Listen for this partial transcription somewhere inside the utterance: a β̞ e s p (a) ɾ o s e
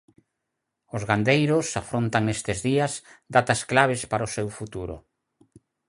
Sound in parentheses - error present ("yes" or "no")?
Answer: no